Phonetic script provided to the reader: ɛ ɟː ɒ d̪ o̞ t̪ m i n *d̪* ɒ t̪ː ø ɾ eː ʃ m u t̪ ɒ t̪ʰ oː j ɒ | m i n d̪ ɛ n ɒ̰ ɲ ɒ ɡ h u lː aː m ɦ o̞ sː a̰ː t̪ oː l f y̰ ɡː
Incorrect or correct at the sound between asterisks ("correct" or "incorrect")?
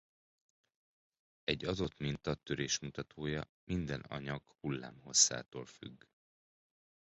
incorrect